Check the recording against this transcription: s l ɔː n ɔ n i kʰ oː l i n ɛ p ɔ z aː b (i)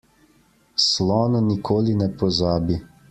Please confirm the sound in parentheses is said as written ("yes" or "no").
yes